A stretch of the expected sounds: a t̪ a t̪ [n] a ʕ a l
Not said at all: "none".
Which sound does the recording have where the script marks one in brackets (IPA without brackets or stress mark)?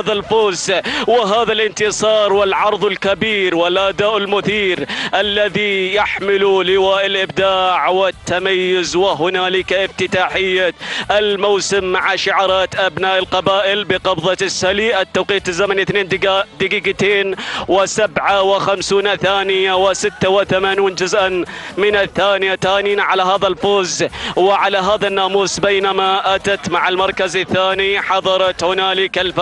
m